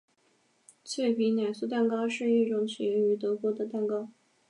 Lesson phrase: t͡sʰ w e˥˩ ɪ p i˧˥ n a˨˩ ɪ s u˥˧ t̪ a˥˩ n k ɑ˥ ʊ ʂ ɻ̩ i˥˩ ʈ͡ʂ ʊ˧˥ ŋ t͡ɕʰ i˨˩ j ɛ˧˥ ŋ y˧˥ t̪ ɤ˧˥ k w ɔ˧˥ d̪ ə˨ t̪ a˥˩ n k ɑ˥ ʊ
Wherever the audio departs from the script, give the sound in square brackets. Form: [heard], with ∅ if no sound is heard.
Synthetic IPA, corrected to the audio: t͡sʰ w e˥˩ ɪ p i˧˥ n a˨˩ ɪ s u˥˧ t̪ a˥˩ n k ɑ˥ ʊ ʂ ɻ̩ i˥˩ ʈ͡ʂ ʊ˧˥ ŋ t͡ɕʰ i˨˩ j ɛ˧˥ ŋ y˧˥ t̪ ɤ˧˥ k w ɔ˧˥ d̪ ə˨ t̪ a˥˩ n k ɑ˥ ʊ